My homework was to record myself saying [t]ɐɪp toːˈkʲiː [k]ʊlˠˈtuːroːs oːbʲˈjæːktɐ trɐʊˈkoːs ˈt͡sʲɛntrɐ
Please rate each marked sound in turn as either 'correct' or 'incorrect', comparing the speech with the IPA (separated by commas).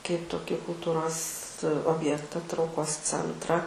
incorrect, correct